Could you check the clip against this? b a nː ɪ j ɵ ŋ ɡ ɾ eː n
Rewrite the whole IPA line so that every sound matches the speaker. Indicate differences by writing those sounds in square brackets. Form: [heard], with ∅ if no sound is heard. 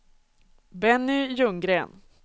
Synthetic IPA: b [ɛ] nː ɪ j ɵ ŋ ɡ ɾ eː n